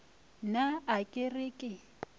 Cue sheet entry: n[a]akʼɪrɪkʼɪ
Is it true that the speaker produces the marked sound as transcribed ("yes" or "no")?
yes